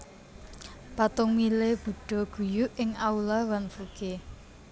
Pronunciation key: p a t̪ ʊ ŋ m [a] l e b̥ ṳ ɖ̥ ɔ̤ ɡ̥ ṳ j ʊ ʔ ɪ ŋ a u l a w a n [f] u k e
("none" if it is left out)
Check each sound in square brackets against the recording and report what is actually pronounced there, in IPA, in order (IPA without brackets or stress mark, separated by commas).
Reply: i, f